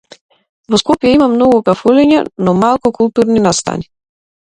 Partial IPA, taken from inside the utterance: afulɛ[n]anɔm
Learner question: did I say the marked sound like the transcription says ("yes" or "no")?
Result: no